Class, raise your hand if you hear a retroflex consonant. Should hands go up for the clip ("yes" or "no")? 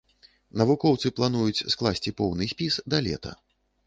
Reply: no